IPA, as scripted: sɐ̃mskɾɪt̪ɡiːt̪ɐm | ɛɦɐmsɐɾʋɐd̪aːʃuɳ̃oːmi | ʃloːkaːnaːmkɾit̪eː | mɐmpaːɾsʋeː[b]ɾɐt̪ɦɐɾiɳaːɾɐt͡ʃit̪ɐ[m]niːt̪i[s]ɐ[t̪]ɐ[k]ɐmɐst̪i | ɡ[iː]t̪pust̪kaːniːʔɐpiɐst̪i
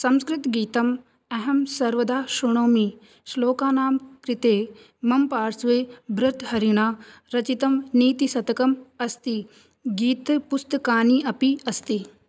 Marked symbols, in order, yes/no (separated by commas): yes, yes, yes, yes, yes, yes